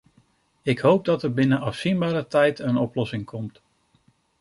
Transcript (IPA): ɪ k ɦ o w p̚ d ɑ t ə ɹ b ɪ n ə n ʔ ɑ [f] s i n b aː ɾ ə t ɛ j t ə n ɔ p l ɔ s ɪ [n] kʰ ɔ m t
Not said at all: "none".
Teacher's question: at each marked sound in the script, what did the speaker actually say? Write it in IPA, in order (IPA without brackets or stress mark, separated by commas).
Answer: f, ŋ